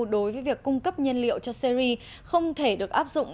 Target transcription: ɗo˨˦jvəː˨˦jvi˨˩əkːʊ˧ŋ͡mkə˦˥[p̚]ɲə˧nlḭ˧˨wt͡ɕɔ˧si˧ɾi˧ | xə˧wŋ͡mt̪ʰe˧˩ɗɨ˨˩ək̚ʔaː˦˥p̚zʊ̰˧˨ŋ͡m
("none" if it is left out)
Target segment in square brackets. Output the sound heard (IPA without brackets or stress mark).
p̚